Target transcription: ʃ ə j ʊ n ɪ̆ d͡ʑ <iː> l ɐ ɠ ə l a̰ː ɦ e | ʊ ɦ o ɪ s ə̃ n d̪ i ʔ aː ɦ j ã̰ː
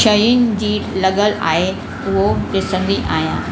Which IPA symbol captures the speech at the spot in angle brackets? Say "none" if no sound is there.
iː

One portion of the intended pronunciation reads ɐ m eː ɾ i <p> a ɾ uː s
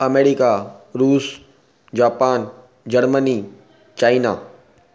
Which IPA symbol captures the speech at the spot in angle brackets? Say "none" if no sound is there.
k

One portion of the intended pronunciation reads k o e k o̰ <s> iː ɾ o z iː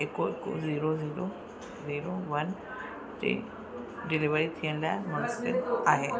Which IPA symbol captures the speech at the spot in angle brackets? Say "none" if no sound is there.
z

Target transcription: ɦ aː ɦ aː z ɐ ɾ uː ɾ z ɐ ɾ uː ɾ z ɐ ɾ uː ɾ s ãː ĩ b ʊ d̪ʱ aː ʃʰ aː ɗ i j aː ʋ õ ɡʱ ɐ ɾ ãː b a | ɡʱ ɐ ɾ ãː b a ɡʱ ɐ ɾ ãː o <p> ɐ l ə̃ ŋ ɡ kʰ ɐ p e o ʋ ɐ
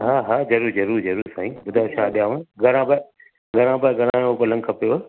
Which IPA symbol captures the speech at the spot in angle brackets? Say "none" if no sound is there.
p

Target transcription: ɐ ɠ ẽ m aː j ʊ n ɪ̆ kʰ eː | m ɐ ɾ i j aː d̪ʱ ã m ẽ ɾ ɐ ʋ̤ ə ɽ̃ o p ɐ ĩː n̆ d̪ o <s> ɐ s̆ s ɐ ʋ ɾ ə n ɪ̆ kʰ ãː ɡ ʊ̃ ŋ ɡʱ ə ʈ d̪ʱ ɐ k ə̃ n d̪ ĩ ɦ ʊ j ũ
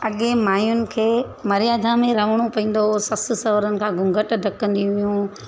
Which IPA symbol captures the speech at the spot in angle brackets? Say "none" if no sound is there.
s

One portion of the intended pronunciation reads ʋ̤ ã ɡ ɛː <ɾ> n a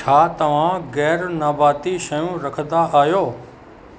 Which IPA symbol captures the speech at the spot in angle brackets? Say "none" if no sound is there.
ɾ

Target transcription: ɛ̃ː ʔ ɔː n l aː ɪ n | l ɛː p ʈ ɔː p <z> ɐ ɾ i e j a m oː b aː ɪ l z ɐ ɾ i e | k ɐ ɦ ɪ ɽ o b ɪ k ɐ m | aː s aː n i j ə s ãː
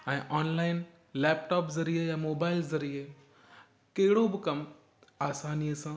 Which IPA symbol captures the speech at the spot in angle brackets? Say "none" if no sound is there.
z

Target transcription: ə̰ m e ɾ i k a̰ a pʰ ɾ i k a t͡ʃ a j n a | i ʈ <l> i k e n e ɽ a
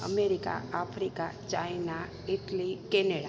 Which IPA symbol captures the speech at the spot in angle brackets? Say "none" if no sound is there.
l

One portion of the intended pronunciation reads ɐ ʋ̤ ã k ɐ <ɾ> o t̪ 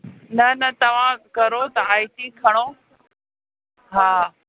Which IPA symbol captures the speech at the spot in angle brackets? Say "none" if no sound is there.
ɾ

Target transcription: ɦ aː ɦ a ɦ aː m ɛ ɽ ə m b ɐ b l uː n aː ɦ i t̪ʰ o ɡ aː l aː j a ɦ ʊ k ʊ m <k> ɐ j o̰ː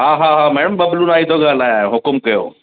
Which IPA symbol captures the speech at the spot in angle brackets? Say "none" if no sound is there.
k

